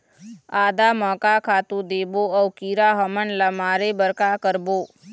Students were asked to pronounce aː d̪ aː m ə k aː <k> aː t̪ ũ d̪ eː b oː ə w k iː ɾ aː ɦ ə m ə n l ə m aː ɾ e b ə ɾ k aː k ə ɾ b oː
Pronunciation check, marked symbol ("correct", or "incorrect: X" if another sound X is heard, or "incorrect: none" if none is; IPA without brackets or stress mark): incorrect: kʰ